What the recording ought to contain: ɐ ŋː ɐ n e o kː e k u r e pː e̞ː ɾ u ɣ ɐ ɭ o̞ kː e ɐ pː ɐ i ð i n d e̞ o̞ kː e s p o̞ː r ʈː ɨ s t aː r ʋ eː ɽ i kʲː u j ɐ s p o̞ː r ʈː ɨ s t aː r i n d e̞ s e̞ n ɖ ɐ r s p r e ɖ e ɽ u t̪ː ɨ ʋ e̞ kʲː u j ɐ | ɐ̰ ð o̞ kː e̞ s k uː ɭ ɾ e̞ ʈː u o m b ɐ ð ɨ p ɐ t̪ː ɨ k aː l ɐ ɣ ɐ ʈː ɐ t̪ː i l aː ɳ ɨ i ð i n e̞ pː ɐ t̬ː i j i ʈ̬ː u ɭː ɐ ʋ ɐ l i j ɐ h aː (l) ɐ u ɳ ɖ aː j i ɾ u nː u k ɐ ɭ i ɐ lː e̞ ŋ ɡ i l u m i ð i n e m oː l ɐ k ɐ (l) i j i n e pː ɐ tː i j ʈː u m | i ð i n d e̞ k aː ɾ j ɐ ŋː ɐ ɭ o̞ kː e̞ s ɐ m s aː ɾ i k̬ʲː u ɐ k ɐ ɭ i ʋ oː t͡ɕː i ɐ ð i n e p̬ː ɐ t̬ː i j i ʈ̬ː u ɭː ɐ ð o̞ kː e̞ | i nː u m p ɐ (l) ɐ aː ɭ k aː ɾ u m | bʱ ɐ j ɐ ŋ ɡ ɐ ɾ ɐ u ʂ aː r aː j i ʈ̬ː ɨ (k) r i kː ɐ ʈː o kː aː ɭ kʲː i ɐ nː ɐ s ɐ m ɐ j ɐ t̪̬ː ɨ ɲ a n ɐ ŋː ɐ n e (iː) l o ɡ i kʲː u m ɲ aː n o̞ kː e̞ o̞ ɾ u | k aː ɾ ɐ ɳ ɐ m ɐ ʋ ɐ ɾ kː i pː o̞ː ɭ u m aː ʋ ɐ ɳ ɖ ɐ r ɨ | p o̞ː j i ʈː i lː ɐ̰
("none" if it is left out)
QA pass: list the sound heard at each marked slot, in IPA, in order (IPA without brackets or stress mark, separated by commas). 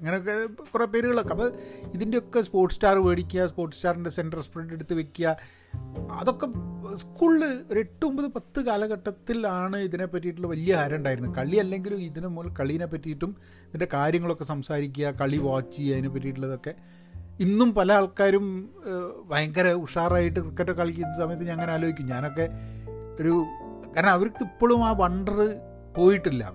ɾ, ɭ, l, k, aː